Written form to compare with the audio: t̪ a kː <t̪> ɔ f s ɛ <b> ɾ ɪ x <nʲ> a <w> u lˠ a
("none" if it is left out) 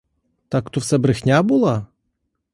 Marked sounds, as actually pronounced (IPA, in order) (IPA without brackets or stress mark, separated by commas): t̪, b, nʲ, b